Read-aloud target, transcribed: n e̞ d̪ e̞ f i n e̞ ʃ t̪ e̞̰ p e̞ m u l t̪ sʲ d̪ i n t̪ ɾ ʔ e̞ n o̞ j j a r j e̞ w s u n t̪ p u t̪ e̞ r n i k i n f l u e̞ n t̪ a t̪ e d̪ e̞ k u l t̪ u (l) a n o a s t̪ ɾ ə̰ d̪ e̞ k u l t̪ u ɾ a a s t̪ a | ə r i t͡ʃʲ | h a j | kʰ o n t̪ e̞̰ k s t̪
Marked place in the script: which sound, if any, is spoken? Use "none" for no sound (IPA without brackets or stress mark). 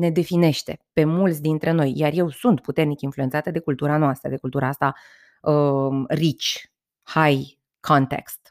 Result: ɾ